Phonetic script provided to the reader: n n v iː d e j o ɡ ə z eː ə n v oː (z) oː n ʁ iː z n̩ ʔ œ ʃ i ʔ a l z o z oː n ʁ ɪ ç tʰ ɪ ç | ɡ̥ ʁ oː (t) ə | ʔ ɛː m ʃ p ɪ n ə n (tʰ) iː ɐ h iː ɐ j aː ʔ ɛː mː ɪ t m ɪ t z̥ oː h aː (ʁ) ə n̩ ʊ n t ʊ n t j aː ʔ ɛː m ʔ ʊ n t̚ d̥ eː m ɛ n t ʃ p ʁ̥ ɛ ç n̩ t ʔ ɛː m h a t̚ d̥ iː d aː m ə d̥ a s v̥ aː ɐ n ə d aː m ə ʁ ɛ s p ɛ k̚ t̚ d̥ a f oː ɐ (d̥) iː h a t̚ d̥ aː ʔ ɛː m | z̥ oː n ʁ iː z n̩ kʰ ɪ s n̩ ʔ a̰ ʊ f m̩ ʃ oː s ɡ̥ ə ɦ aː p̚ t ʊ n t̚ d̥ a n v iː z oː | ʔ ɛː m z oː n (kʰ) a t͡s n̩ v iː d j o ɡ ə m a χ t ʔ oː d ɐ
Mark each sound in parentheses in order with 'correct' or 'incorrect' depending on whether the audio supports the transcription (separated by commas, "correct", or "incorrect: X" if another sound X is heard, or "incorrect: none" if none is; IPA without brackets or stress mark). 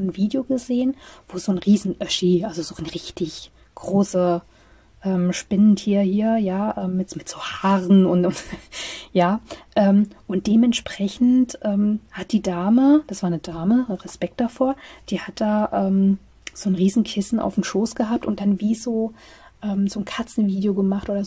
correct, incorrect: s, correct, correct, correct, correct